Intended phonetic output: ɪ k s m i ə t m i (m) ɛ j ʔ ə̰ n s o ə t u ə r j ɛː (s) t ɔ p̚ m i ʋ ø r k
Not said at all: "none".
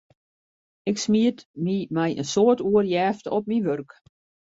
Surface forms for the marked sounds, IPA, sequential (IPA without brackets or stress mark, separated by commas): m, f